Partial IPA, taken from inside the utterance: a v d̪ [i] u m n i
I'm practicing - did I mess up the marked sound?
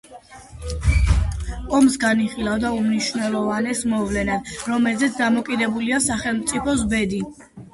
yes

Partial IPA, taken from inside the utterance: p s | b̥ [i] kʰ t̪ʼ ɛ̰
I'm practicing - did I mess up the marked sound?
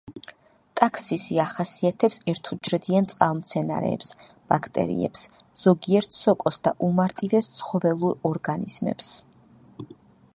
yes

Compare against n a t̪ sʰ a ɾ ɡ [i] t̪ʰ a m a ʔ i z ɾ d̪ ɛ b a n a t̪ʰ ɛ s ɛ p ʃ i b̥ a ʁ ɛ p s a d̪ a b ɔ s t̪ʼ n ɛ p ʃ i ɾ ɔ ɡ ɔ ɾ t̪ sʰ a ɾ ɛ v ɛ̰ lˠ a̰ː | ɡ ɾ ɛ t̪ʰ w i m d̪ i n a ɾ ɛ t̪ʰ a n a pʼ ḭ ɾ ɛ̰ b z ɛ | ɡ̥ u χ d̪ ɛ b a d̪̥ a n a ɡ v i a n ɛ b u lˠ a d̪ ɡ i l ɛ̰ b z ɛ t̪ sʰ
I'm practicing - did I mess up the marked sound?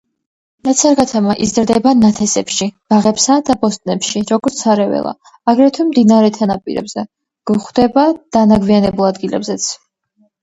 yes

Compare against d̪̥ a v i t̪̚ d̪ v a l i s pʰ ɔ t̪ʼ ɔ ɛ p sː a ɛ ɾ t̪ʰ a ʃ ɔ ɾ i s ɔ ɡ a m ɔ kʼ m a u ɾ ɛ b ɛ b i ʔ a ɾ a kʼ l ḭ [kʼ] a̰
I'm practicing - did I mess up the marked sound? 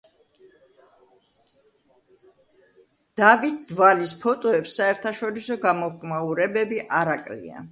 yes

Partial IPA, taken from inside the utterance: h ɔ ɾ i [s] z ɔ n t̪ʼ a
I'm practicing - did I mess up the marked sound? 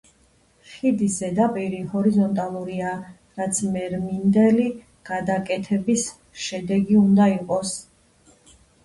yes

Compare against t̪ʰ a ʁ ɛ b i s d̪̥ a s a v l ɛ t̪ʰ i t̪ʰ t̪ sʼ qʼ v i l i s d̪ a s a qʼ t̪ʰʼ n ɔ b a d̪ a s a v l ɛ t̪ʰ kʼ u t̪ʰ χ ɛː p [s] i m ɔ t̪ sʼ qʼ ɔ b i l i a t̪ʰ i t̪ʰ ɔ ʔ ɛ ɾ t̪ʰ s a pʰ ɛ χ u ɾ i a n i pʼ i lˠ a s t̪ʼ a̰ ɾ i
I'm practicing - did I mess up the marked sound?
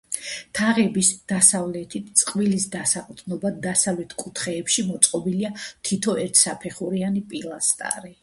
yes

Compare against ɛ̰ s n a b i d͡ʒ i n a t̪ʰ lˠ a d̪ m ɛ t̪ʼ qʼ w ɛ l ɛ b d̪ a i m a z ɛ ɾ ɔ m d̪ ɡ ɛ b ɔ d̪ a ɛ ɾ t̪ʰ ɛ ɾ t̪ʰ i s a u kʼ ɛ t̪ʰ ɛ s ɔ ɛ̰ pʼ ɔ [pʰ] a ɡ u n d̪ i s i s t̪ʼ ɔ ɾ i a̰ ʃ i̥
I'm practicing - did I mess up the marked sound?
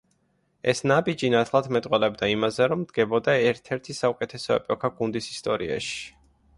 yes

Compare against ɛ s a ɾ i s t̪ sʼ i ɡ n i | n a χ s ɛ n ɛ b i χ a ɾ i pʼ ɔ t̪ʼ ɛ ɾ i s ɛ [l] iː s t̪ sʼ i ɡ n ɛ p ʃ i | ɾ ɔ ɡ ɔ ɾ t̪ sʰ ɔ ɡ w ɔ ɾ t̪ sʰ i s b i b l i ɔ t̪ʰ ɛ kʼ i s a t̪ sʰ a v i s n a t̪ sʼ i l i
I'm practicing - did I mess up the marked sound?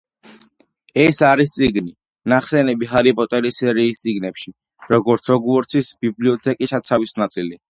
yes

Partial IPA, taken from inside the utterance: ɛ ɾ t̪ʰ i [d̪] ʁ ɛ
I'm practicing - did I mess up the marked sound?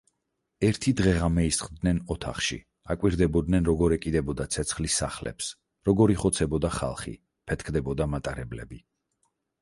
no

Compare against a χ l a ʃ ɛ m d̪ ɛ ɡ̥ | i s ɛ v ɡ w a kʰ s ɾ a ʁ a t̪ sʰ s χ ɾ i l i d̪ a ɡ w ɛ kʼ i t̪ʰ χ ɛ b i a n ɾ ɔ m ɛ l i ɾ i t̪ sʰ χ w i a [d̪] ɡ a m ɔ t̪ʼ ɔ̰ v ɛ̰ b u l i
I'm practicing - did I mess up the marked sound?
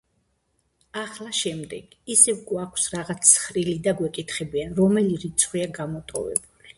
yes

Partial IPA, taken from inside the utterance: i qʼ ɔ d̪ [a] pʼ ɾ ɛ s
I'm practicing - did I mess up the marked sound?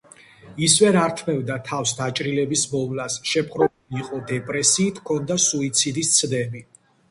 yes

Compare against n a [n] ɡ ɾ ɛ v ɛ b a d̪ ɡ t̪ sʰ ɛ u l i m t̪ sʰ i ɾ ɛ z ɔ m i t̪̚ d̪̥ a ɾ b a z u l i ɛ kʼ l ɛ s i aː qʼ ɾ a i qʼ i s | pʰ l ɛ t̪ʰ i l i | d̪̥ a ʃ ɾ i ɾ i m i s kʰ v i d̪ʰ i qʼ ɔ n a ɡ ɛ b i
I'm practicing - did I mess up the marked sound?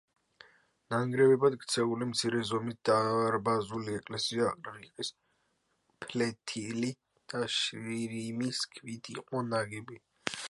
yes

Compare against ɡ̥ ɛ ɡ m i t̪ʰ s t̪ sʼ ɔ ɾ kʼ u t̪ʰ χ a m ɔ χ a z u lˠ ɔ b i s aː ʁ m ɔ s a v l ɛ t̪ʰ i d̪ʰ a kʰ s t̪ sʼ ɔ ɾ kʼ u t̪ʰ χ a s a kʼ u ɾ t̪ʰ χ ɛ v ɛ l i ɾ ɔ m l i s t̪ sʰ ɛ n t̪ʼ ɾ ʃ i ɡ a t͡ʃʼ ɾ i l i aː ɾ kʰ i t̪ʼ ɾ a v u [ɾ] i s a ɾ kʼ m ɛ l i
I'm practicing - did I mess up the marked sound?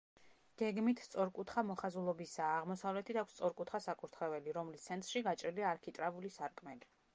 yes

